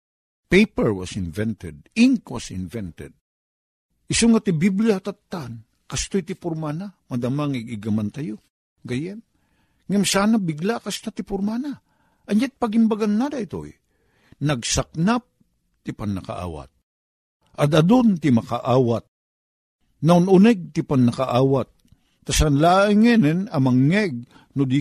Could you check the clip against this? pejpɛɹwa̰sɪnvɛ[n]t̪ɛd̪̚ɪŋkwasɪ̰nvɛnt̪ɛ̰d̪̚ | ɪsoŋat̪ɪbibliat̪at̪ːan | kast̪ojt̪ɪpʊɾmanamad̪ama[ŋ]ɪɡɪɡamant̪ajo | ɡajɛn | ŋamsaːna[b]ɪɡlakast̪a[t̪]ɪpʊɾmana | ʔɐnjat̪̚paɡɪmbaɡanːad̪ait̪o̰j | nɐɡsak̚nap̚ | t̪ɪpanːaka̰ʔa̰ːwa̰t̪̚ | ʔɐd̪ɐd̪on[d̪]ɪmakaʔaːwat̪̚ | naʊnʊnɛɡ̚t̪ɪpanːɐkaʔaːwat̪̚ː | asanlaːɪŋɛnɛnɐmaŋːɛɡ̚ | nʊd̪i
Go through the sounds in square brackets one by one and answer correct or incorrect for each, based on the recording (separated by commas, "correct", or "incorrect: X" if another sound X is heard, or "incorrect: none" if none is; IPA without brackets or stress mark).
correct, correct, correct, correct, incorrect: t̪